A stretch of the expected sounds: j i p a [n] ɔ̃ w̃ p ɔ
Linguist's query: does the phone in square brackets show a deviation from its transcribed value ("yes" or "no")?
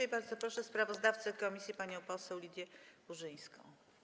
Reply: yes